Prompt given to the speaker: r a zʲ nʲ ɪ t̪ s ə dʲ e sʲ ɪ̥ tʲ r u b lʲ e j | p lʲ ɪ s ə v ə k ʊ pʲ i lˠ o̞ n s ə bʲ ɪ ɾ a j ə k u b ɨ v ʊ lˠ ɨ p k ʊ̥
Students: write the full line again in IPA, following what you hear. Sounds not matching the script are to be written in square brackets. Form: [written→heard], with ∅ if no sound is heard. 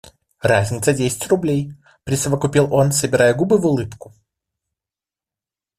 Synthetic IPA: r a zʲ nʲ ɪ t̪ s ə dʲ e sʲ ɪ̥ tʲ r [u→ʊ] b lʲ e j | p [lʲ→ɾʲ] ɪ s ə v ə k ʊ pʲ i lˠ o̞ n s ə bʲ ɪ ɾ a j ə [k→ɡ] u b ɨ v ʊ lˠ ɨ p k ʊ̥